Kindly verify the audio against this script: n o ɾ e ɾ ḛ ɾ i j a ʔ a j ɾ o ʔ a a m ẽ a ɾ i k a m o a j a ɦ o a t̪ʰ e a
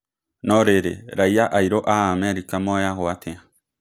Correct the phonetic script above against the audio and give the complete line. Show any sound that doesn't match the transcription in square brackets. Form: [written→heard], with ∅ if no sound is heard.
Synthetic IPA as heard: n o ɾ e ɾ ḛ ɾ [i→a] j a ʔ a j ɾ o ʔ a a m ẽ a ɾ i k a m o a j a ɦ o a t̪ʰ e a